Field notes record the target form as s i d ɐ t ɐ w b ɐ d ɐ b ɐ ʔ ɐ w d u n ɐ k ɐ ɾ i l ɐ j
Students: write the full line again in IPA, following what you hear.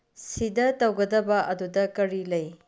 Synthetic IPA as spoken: s i d ɐ t ɐ w ɡ ɐ d ɐ b ɐ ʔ ɐ d u d ɐ k ɐ ɾ i l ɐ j